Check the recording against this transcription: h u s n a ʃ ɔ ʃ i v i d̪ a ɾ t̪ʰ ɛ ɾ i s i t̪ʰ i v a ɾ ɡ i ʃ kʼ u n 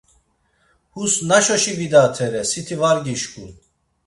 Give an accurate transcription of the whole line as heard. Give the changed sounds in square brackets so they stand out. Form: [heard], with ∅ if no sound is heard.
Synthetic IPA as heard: h u s n a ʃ ɔ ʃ i v i d̪ a [∅] t̪ʰ ɛ ɾ [ɛ] s i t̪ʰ i v a ɾ ɡ i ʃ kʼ u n